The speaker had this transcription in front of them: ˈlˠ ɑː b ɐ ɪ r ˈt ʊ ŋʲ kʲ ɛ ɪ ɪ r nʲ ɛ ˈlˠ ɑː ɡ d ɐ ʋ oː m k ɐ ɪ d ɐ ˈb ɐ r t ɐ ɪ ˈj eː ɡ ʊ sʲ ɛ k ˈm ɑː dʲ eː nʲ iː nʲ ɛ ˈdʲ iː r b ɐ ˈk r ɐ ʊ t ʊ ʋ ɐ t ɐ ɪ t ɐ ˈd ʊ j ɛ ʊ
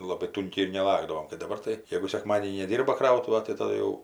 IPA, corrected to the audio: ˈlˠ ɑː b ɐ ɪ ˈt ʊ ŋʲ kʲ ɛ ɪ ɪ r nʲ ɛ ˈlˠ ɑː ɡ d ɐ ʋ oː m k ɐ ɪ d ɐ ˈb ɐ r t ɐ ɪ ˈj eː ɡ ʊ sʲ ɛ k ˈm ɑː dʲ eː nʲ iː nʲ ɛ ˈdʲ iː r b ɐ ˈk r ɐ ʊ t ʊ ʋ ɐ t ɐ ɪ t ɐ ˈd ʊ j ɛ ʊ